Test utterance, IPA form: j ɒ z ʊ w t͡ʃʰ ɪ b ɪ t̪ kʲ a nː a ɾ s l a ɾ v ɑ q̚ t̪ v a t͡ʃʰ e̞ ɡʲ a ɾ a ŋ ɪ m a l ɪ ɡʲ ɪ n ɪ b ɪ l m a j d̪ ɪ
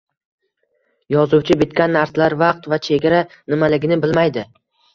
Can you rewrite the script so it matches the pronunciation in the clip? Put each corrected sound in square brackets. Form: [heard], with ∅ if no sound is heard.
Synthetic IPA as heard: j ɒ z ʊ w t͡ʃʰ ɪ b ɪ t̪ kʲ a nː a ɾ s l a ɾ v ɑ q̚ t̪ v a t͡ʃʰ e̞ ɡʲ a ɾ a [n] ɪ m a l ɪ ɡʲ ɪ n ɪ b ɪ l m a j d̪ ɪ